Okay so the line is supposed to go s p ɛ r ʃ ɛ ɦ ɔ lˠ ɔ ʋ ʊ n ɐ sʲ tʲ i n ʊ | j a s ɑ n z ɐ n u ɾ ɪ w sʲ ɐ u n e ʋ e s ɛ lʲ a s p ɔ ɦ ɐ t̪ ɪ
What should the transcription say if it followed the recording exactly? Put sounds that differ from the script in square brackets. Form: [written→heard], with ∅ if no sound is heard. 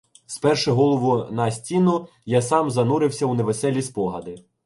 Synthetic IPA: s p ɛ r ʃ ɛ ɦ ɔ lˠ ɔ ʋ ʊ n ɐ sʲ tʲ i n ʊ | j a s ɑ [n→m] z ɐ n u ɾ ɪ w sʲ ɐ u n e ʋ e s ɛ lʲ [a→i] s p ɔ ɦ ɐ [t̪→d̪] ɪ